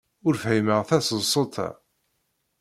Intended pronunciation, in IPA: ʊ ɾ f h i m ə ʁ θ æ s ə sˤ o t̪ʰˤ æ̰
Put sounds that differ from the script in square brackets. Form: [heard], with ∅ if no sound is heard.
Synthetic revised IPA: ʊ ɾ f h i m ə ʁ θ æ s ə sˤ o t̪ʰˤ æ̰